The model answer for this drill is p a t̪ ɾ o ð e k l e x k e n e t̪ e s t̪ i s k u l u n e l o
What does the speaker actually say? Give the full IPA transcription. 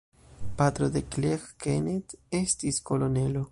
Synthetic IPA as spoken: p a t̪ ɾ o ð e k l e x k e n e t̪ e s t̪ i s k o l o n e l o